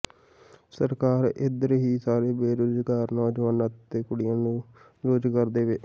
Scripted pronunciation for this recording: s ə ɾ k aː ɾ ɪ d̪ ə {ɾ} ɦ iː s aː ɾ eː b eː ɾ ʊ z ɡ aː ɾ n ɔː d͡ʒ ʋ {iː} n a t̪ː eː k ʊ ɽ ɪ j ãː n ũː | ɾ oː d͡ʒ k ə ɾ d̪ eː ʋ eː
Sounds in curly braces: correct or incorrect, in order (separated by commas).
correct, incorrect